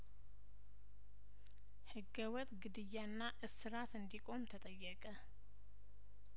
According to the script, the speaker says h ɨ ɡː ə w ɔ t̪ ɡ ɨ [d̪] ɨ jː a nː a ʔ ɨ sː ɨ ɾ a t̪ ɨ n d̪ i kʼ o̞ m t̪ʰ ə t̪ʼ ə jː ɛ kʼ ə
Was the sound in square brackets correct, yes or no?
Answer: yes